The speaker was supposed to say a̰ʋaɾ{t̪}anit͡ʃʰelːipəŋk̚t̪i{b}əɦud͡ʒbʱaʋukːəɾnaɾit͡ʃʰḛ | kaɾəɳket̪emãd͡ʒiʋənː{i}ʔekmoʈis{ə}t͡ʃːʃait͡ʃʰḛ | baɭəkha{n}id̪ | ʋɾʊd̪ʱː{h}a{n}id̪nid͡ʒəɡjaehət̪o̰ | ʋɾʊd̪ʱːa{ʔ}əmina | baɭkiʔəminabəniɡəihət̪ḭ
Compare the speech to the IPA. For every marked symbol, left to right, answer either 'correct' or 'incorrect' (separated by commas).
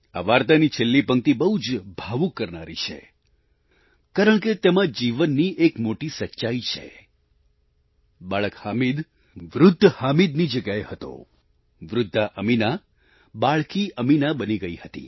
correct, correct, correct, correct, incorrect, correct, incorrect, correct